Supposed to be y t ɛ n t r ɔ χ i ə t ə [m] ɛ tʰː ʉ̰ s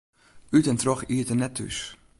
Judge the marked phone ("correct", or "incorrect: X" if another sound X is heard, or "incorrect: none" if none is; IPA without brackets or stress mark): incorrect: n